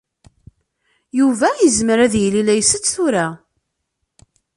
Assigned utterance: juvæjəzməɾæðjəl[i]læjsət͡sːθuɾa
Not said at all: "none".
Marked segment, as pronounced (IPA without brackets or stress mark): i